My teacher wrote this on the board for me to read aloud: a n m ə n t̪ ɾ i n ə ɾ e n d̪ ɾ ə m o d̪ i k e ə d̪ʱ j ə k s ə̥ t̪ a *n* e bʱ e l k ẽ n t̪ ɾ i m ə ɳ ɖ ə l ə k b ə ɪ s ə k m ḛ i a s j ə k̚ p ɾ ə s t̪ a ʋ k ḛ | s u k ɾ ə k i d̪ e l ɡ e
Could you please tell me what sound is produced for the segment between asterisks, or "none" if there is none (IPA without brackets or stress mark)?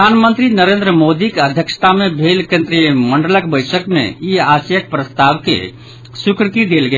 m